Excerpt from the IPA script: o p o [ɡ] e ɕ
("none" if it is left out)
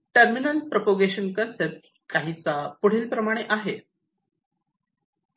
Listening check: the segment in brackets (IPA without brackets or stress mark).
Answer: ɡ